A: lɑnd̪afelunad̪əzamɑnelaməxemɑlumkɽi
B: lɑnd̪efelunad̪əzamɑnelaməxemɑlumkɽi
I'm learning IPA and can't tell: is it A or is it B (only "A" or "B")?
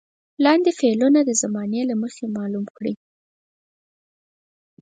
B